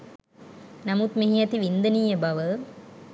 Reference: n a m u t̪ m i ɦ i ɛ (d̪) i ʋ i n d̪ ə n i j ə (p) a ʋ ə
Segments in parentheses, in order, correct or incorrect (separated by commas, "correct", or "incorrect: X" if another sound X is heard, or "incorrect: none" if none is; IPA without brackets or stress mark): incorrect: t̪, incorrect: b